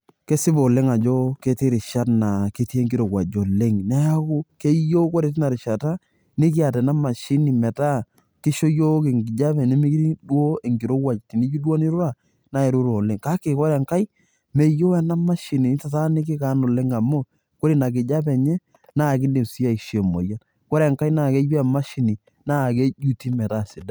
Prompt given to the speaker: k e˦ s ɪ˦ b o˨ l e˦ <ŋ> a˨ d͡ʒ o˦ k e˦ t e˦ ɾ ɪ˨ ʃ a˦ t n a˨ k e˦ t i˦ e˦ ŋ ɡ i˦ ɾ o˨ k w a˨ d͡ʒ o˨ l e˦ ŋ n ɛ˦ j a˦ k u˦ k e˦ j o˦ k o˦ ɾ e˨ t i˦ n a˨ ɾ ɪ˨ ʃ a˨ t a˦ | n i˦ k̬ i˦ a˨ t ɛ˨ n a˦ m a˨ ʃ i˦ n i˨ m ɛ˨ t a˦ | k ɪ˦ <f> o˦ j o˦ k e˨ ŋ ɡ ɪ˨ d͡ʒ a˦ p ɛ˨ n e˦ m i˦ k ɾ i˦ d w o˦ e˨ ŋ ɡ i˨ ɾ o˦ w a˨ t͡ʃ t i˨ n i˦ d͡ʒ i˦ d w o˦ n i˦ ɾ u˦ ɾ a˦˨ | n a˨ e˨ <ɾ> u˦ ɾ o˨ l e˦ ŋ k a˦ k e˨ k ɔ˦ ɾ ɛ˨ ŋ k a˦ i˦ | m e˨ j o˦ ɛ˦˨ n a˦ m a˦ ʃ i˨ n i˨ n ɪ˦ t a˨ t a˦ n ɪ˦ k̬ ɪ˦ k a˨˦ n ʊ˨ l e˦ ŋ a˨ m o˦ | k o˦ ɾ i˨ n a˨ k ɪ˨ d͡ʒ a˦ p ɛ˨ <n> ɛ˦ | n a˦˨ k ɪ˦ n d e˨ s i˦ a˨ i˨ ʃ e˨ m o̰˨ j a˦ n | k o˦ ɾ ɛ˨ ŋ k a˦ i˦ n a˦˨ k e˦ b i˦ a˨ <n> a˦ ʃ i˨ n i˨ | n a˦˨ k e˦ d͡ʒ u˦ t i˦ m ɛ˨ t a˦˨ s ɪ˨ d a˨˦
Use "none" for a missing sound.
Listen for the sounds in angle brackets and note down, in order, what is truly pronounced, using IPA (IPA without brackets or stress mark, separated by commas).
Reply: ŋ, ʃ, ɾ, ɲ, m